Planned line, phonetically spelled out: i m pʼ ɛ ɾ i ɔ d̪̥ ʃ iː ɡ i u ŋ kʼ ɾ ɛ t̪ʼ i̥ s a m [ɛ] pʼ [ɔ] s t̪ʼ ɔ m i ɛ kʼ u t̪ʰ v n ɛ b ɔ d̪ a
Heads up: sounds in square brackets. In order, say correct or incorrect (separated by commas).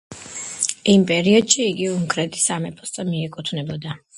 correct, correct